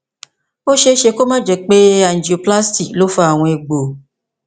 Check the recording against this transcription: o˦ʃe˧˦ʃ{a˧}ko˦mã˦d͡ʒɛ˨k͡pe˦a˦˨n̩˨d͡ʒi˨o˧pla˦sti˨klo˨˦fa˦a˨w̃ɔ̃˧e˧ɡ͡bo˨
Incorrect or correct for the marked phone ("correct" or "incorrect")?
incorrect